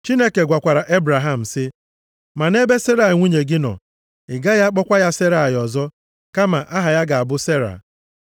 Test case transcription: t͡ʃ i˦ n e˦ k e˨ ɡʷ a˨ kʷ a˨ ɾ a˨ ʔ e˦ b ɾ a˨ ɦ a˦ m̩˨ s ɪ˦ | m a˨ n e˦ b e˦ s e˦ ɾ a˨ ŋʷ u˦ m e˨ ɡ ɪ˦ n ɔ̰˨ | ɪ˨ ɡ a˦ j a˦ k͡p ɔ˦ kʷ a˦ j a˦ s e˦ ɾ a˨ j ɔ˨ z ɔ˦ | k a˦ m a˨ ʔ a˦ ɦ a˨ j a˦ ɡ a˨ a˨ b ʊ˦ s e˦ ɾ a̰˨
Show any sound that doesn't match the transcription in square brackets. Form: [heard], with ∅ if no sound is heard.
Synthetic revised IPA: t͡ʃ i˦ n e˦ k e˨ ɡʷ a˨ kʷ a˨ ɾ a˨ ʔ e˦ b ɾ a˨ ɦ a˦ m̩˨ s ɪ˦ | m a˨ n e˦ b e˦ s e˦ ɾ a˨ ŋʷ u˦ [ɲ] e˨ ɡ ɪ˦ n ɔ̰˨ | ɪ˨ ɡ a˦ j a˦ k͡p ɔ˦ kʷ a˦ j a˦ s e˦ ɾ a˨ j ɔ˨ z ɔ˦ | k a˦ m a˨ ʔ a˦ ɦ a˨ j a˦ ɡ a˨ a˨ b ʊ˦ s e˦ ɾ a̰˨

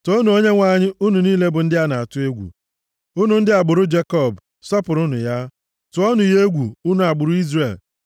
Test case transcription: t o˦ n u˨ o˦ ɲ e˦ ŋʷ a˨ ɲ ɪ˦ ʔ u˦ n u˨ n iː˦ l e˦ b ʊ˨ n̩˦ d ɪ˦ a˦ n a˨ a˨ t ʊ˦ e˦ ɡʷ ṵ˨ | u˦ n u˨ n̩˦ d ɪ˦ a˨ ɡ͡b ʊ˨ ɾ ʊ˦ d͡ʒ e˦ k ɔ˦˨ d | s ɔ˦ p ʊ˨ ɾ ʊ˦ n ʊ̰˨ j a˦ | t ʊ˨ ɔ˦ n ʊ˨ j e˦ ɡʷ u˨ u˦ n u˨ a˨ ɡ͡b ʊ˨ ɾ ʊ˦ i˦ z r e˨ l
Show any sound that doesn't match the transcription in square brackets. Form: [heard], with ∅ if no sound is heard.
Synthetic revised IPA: t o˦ n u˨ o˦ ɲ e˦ ŋʷ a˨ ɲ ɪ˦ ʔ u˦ n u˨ n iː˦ l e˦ b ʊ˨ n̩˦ d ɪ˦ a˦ n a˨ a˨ t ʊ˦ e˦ ɡʷ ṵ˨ | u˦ n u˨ n̩˦ d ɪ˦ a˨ ɡ͡b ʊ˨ ɾ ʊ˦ d͡ʒ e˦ k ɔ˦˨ [b] | s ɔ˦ p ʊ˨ ɾ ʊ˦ n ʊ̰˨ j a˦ | t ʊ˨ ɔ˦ n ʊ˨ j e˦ ɡʷ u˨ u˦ n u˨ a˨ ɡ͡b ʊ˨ ɾ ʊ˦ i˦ z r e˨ l

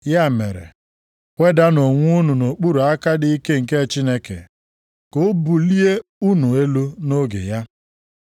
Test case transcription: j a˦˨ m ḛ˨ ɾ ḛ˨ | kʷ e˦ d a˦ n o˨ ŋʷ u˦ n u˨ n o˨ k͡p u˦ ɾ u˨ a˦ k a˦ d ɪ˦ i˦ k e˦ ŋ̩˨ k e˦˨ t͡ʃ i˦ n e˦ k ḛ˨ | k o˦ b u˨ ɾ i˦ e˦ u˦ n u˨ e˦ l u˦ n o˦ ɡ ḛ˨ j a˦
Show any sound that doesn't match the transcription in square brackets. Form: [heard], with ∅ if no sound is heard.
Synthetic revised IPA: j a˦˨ m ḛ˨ ɾ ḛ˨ | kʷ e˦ d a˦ n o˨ ŋʷ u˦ n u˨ n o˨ k͡p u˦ ɾ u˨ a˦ k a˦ d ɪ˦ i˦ k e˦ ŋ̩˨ k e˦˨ t͡ʃ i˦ n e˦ k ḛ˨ | k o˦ b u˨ [l] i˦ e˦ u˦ n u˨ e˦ l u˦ n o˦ ɡ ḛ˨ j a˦

